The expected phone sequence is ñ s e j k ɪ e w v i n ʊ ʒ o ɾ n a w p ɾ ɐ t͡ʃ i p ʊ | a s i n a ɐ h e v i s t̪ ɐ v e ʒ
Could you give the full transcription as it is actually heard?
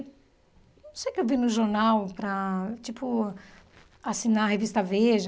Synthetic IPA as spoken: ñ s e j k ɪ e w v i n ʊ ʒ o ɾ n a w p ɾ ɐ t͡ʃ i p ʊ | a s i n a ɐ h e v i s t̪ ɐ v e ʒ